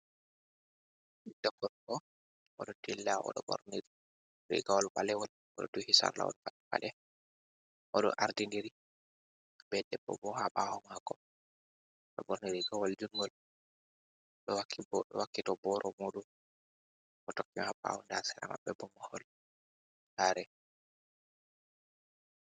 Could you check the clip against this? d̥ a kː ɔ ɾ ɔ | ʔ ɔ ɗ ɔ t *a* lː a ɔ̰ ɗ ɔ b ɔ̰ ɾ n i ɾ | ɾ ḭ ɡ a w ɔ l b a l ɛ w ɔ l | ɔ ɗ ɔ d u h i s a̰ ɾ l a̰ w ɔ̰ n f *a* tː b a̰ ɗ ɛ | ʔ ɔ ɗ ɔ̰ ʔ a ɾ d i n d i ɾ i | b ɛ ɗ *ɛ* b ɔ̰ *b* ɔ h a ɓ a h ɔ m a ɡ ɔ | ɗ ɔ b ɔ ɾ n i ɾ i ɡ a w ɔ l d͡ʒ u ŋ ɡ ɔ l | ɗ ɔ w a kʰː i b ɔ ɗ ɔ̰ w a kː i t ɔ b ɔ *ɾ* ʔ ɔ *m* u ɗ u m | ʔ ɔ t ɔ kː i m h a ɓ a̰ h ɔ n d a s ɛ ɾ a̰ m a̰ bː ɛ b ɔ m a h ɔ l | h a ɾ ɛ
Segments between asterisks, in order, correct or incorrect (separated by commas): incorrect, correct, correct, correct, correct, correct